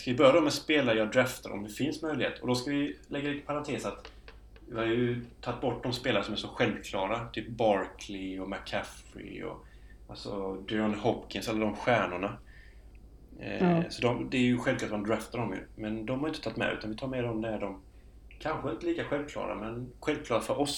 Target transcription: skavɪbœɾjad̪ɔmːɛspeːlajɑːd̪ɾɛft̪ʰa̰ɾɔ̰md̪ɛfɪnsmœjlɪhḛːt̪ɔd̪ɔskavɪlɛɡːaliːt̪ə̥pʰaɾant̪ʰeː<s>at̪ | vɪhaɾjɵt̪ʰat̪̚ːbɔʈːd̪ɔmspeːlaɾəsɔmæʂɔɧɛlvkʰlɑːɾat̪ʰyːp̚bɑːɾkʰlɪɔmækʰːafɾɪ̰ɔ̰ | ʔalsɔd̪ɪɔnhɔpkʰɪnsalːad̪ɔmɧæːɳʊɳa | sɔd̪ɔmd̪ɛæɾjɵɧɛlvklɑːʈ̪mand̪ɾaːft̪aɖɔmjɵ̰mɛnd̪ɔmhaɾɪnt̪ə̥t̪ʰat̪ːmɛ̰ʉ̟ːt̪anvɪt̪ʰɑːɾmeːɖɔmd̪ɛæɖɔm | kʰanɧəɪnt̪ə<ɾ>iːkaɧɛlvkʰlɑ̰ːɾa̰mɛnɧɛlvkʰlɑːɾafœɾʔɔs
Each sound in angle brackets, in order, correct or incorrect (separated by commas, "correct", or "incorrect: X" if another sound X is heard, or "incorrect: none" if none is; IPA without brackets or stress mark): correct, incorrect: l